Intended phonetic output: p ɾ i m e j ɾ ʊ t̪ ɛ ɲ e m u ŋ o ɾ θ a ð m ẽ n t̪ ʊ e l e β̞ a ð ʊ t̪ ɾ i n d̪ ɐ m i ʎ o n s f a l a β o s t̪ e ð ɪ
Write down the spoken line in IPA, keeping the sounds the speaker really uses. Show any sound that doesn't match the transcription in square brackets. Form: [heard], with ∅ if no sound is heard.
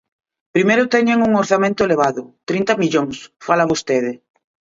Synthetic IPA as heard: p ɾ i m e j ɾ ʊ t̪ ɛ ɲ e [ŋ] u ŋ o ɾ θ a [∅] m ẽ n t̪ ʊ e l e β̞ a ð ʊ t̪ ɾ i n [t̪] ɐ m i ʎ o [ŋ] s f a l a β o s t̪ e ð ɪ